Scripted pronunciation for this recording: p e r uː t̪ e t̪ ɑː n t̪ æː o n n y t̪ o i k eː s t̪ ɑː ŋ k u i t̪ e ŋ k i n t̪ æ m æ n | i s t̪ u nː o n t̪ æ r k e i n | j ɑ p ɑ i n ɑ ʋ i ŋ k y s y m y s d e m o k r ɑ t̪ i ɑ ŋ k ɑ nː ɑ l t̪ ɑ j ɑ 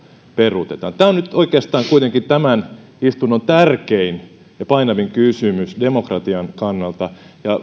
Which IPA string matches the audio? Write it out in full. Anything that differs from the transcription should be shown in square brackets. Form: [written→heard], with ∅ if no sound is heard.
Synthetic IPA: p e r [uː→u] t̪ e t̪ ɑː n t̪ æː o n n y t̪ o i k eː s t̪ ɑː ŋ k u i t̪ e ŋ k i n t̪ æ m æ n | i s t̪ u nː o n t̪ æ r k e i n | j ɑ p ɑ i n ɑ ʋ i ŋ k y s y m y s d e m o k r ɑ t̪ i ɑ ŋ k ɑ nː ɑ l t̪ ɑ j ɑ